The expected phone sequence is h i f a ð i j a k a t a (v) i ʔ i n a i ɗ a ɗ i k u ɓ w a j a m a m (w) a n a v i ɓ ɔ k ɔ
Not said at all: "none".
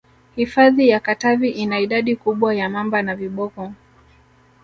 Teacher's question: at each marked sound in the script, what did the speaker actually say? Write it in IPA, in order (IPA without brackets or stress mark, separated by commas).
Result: v, b